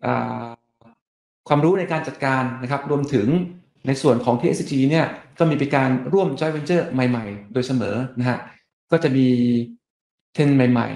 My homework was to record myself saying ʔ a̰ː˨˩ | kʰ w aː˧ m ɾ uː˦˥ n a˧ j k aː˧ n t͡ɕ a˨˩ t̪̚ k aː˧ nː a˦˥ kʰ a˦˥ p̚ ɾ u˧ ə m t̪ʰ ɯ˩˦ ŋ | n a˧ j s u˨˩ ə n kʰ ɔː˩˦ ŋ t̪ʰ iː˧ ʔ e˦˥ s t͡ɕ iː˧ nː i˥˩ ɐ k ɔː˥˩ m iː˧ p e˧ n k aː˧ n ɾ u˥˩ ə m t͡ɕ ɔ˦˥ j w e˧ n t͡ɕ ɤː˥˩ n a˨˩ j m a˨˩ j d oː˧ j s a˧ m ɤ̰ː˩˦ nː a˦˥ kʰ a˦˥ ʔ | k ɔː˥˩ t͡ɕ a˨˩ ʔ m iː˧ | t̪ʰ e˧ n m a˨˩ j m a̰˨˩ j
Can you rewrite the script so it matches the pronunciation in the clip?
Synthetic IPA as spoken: ʔ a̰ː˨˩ | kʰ w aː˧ m ɾ uː˦˥ n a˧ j k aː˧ n t͡ɕ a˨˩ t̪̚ k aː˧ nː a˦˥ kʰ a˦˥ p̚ ɾ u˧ ə m t̪ʰ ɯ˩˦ ŋ | n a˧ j s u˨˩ ə n kʰ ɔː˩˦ ŋ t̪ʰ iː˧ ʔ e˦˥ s t͡ɕ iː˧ n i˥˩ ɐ k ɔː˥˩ m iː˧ p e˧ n k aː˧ n ɾ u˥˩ ə m t͡ɕ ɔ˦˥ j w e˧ n t͡ɕ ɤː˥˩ m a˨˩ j m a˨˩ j d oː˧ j s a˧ m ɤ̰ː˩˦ n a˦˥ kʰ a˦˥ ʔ | k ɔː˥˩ t͡ɕ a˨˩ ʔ m iː˧ | t̪ʰ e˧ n m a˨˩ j m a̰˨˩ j